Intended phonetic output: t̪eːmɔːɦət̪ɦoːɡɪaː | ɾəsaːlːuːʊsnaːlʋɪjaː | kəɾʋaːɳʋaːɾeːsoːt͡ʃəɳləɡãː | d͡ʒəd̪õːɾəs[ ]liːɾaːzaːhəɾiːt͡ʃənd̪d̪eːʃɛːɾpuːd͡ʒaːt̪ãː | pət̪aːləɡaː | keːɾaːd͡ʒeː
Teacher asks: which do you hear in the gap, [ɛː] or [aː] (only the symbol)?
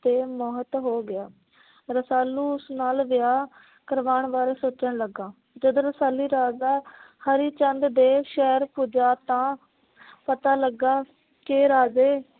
aː